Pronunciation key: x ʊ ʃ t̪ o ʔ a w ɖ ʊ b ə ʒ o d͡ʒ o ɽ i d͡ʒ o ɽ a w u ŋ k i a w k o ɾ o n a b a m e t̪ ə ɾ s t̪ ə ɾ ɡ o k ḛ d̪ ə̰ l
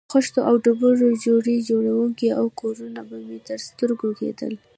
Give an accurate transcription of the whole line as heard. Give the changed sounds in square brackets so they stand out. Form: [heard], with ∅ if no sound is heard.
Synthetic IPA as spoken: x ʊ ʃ t̪ o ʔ a w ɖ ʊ b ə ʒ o d͡ʒ o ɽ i d͡ʒ o ɽ a w u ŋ k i a w k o ɾ [u] n a b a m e t̪ ə ɾ s t̪ ə ɾ ɡ o k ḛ d̪ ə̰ l